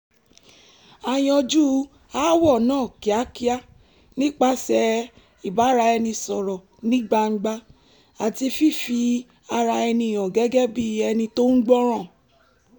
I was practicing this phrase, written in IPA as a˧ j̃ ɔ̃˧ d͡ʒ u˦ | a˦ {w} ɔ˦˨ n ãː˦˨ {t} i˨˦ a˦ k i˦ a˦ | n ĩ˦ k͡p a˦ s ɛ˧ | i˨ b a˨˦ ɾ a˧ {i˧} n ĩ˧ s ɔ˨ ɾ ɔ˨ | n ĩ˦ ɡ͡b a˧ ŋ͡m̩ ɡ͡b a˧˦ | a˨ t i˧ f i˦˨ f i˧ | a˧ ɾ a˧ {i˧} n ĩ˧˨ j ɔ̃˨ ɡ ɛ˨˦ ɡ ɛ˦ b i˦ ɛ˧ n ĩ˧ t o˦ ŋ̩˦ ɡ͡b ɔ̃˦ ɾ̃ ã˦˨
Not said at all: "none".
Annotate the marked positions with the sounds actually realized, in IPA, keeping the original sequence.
w, k, ɛ˧, ɛ˧

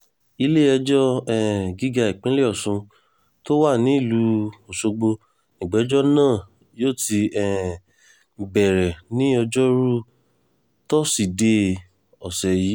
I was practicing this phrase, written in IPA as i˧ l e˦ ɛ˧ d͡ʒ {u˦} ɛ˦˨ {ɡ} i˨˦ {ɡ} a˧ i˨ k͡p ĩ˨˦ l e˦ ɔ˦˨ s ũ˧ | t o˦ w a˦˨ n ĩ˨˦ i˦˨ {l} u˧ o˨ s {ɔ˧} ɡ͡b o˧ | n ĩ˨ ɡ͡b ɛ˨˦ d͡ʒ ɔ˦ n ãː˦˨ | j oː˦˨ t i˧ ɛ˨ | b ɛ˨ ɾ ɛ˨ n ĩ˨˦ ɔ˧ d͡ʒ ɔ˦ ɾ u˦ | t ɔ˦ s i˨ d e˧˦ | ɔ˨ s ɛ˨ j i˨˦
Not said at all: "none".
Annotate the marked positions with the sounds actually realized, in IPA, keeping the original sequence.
ɔ˦, ɡ, ɡ, l, o˧

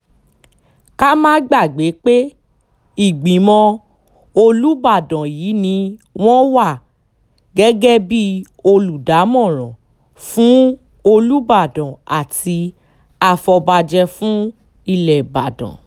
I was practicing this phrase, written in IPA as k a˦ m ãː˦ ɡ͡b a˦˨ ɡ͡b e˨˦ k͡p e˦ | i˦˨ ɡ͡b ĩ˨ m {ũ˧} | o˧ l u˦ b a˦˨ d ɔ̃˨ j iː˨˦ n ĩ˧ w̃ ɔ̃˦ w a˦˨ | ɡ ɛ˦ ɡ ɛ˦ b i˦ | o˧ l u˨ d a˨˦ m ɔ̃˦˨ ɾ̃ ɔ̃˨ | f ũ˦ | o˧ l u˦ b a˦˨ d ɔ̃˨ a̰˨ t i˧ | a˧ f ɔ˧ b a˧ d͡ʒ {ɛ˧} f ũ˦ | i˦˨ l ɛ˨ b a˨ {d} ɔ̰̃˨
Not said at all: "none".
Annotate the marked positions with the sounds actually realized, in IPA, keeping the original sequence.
ɔ̃˧, ɛ˧, d

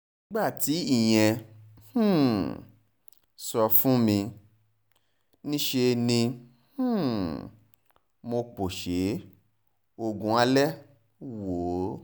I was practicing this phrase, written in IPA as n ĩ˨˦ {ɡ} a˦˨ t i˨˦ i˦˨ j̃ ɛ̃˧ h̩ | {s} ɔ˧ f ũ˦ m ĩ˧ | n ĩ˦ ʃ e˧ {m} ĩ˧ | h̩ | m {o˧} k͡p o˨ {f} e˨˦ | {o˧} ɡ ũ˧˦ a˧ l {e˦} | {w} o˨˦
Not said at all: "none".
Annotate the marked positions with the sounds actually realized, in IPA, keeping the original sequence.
ɡ͡b, s, n, o˧, ʃ, o˧, ɛ˦, w

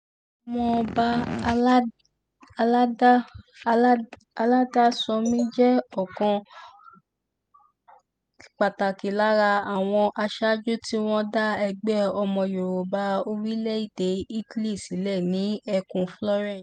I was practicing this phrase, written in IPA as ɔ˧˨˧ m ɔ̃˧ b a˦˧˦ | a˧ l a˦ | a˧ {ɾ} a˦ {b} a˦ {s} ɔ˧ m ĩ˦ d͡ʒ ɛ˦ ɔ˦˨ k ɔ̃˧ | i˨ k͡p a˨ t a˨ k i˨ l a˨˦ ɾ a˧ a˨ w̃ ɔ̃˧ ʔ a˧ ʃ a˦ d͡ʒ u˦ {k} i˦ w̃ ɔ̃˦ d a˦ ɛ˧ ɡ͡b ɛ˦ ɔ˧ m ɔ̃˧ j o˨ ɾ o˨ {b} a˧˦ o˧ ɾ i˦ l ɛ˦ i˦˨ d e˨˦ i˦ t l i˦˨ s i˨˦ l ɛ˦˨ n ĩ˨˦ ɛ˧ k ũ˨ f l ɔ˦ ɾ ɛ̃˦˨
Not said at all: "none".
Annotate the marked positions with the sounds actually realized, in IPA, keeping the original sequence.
l, d, s, t, b

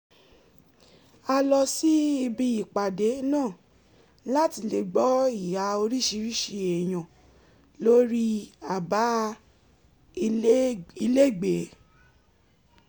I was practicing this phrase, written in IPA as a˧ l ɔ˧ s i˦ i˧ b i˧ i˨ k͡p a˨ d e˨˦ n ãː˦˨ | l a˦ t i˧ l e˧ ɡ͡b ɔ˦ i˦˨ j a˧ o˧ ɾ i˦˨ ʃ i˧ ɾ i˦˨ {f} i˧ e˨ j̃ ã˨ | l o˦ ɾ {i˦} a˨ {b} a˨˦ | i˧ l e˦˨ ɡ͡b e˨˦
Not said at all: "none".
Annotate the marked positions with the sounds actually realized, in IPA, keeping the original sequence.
ʃ, i˦, b

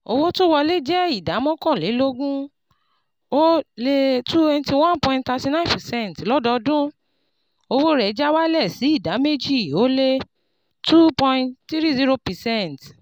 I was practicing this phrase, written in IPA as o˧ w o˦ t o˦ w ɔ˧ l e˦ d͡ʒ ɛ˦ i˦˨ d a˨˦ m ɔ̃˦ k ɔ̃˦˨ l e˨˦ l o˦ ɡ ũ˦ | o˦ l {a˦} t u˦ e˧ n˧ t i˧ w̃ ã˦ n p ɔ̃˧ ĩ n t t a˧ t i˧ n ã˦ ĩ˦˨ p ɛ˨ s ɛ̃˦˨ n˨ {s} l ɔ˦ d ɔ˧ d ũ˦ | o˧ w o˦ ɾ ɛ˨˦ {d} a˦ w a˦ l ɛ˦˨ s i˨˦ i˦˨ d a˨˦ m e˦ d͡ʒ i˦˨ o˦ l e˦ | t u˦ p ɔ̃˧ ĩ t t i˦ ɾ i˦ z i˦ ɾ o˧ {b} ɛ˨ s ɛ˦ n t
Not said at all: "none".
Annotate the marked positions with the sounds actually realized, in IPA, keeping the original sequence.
e˦, t, d͡ʒ, p

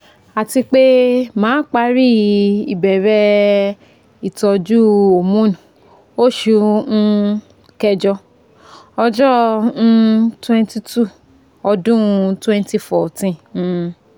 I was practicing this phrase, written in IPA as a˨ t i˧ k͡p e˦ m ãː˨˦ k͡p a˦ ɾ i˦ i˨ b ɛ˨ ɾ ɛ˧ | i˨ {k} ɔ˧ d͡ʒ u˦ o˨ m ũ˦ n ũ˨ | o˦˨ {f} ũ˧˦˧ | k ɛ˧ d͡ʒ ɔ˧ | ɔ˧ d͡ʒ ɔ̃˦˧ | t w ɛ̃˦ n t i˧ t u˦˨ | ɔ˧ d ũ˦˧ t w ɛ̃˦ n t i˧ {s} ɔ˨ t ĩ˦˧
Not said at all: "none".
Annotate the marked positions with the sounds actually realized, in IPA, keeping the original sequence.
t, ʃ, f

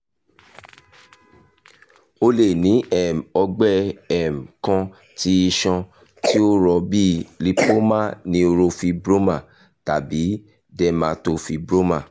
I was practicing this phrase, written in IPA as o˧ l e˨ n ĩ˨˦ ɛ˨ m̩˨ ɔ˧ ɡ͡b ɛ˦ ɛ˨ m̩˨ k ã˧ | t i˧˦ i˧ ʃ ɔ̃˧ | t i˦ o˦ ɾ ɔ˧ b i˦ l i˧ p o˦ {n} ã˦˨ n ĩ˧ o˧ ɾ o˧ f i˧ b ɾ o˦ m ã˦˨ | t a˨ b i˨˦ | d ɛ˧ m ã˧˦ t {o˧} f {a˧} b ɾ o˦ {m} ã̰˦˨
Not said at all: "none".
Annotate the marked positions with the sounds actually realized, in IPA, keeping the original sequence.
m, o˧, i˧, m

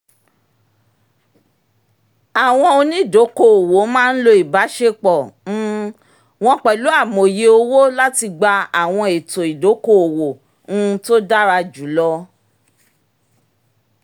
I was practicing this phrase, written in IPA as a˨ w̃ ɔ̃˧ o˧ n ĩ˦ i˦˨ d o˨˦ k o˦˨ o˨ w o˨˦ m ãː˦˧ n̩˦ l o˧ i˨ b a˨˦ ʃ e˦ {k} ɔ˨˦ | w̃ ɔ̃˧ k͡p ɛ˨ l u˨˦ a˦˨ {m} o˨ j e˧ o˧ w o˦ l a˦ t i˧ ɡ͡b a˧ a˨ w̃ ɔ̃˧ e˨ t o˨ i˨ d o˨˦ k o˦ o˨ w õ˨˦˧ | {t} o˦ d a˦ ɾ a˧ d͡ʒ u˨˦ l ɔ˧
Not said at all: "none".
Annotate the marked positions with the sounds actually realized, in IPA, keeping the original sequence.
k͡p, m, t

